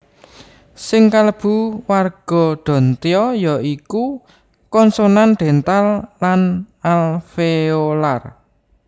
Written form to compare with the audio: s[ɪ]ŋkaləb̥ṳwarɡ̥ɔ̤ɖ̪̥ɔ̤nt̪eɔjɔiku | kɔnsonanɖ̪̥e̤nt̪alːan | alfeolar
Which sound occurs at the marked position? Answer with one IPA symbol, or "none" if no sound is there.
ɪ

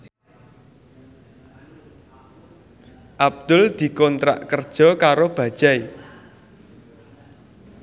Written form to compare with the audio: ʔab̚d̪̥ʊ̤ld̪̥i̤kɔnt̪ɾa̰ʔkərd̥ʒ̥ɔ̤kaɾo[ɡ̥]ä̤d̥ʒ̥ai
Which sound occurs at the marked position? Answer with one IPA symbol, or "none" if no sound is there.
b̥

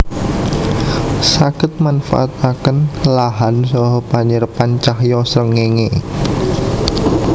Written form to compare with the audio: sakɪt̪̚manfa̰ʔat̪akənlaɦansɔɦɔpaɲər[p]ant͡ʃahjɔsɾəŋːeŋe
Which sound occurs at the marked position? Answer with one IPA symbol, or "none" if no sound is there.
p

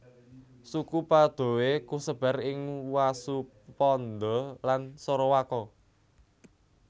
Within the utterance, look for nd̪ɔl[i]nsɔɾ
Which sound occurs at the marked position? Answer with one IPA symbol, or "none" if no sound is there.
a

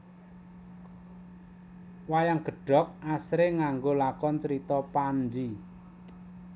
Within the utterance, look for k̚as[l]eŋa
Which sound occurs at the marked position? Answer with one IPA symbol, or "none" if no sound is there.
ɾ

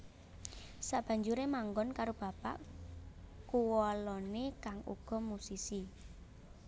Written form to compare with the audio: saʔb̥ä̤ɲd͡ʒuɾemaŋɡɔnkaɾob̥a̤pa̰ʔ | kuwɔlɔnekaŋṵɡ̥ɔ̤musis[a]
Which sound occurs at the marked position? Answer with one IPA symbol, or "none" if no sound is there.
i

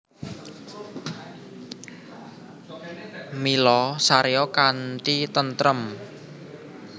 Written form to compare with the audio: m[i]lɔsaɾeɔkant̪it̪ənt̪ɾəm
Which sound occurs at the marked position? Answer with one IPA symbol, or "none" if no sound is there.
i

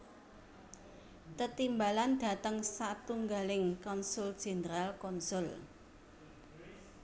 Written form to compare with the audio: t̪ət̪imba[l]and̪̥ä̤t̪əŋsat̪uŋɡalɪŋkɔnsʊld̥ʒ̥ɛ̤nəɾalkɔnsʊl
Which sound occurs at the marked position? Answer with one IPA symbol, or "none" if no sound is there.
l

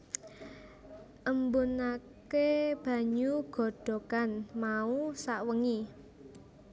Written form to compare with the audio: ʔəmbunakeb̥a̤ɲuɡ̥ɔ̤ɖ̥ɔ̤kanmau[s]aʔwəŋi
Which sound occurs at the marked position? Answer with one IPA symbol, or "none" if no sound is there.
s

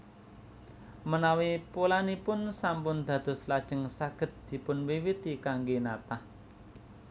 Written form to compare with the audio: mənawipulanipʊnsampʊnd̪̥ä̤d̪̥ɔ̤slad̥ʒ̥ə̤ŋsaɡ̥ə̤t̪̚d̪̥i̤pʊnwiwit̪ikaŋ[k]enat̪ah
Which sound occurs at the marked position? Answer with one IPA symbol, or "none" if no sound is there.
ɡ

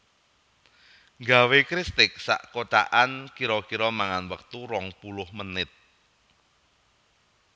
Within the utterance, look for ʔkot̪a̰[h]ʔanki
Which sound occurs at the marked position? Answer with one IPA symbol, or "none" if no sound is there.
none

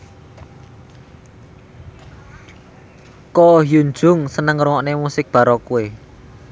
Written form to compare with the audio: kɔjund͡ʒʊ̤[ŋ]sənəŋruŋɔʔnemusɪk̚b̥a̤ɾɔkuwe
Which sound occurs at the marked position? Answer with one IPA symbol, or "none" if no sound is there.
ŋ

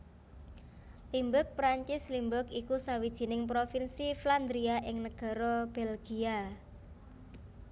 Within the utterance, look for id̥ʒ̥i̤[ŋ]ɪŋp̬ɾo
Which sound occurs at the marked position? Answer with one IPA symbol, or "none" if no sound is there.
n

